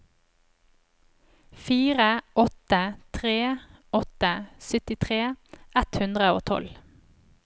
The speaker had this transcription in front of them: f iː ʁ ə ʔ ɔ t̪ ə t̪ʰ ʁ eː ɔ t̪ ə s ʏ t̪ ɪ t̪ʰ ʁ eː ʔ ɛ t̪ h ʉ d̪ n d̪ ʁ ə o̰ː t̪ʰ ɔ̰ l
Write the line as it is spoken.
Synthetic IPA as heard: f iː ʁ ə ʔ ɔ t̪ ə t̪ʰ ʁ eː ɔ t̪ ə s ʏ t̪ ɪ t̪ʰ ʁ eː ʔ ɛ t̪ h ʉ n d̪ ʁ ə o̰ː t̪ʰ ɔ̰ l